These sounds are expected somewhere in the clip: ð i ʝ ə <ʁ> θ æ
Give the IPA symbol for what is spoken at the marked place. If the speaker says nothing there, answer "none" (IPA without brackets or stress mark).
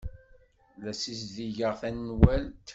ʁ